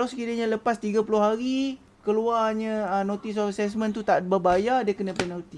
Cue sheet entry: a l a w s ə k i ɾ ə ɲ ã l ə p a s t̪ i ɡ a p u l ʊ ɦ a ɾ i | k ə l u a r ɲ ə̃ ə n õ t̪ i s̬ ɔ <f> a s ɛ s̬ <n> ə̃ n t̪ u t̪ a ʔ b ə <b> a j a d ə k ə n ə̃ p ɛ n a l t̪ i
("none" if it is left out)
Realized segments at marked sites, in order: f, m, b

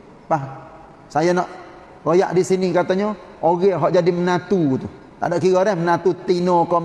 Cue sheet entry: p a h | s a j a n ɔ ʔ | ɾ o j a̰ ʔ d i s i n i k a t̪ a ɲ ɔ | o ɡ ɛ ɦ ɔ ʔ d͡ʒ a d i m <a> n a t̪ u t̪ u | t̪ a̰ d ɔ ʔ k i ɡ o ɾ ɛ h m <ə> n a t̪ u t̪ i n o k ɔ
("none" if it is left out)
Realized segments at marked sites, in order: ə, ə

